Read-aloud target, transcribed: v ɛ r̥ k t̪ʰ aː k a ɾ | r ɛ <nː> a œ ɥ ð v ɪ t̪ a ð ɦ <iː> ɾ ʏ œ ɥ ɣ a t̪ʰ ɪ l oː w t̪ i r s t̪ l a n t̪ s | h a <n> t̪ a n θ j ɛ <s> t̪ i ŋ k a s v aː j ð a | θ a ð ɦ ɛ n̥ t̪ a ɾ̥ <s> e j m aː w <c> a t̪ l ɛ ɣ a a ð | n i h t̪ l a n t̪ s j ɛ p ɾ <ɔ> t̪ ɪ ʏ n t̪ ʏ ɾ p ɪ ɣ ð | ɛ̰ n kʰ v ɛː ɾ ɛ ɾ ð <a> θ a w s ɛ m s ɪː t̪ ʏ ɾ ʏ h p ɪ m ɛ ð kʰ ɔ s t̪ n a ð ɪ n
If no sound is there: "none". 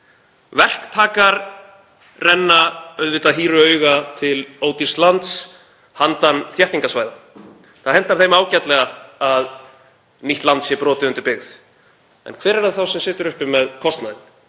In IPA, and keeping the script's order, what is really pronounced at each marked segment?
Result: nː, iː, n, h, θ, c, ɔː, a

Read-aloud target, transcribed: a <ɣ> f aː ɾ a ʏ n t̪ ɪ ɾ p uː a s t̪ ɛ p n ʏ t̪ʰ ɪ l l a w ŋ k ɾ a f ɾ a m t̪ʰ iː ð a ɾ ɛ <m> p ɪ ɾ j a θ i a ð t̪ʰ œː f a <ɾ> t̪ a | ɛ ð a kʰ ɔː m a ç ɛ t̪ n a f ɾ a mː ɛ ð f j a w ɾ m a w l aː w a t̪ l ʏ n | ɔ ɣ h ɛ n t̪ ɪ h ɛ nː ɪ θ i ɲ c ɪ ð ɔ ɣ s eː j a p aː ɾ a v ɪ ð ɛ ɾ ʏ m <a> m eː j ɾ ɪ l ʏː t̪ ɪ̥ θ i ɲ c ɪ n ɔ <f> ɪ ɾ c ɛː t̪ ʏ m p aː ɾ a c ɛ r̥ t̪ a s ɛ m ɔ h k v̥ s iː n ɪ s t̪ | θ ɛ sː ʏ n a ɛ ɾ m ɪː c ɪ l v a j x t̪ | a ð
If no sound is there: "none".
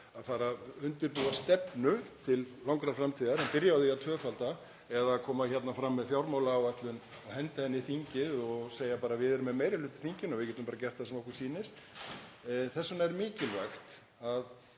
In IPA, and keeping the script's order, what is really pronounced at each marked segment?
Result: ð, m, l, ɛ, v

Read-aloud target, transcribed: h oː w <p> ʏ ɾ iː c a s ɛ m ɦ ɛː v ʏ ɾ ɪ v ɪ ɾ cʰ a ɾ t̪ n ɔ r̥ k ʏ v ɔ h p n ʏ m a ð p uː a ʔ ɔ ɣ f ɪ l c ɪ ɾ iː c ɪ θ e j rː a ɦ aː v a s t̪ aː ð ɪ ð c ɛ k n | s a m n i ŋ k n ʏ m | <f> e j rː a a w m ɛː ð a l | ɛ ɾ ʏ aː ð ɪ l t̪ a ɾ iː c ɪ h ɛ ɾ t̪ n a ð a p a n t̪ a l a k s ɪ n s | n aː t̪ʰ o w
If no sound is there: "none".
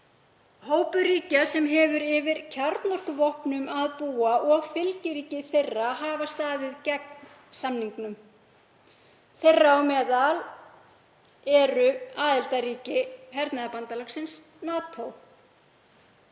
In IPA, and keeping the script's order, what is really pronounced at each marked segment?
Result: p, θ

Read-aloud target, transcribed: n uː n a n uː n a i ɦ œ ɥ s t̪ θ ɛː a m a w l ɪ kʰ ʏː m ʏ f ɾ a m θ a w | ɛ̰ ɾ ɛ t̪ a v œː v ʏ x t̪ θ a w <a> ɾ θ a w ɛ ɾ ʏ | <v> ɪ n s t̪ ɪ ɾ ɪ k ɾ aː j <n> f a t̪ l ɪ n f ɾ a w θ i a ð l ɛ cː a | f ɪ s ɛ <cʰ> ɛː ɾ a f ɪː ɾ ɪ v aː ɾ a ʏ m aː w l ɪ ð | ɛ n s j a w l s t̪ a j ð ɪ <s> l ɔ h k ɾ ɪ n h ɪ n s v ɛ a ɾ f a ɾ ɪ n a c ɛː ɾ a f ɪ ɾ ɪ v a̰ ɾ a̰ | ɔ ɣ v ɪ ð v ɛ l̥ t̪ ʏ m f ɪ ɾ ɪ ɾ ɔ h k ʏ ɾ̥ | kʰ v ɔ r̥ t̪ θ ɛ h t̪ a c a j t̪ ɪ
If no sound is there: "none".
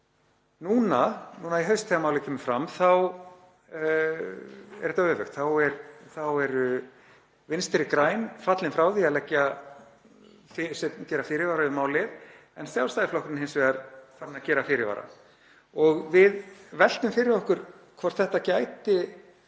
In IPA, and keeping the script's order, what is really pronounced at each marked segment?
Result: ɛ, v, n, c, f

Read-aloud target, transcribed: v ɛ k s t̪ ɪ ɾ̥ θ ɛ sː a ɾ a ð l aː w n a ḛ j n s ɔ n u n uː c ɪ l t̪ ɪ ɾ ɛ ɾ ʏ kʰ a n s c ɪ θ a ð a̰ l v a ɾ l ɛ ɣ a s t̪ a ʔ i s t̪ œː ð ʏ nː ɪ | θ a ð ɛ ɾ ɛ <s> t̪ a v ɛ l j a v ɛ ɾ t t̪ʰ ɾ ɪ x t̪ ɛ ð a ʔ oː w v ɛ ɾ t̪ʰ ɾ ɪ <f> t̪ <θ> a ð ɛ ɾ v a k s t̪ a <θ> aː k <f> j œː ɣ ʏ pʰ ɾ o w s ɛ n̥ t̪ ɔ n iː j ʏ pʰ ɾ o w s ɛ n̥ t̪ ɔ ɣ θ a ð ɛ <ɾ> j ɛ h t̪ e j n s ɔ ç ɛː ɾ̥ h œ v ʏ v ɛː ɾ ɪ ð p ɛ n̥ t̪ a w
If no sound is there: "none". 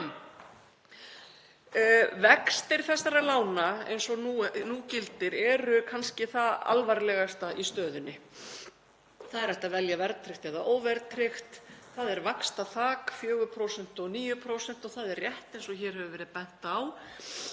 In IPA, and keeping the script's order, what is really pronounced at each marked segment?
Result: h, x, θ, θ, f, r

